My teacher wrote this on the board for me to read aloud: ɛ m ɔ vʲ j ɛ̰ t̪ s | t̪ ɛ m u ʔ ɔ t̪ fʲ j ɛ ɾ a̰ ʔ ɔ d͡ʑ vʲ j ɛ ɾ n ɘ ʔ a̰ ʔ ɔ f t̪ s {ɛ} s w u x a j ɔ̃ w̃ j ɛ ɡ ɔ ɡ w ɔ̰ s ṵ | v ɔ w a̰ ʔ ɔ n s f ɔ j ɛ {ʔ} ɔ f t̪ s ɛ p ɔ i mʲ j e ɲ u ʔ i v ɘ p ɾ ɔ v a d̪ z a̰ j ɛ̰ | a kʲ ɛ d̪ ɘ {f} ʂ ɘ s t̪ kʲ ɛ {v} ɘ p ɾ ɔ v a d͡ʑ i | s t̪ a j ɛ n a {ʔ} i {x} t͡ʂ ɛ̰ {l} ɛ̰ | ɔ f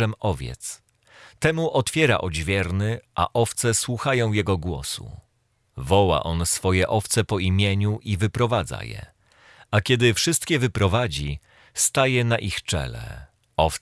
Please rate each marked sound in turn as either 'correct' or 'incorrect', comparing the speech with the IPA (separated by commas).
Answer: correct, correct, correct, correct, correct, correct, correct